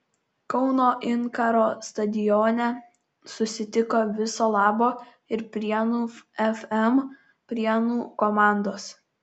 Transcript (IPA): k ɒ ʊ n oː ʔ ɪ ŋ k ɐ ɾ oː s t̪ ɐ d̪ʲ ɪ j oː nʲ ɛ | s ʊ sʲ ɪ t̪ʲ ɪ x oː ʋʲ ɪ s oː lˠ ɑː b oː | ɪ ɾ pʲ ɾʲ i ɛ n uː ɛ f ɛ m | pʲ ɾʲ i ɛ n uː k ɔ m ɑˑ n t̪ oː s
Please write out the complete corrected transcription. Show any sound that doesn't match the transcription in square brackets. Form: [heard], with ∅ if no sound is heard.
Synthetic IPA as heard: k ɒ ʊ n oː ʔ ɪ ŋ k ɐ ɾ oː s t̪ ɐ d̪ʲ ɪ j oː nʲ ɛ | s ʊ sʲ ɪ t̪ʲ ɪ [k] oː ʋʲ ɪ s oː lˠ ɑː b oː | ɪ ɾ pʲ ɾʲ i ɛ n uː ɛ f ɛ m | pʲ ɾʲ i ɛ n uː k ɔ m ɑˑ n [d̪] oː s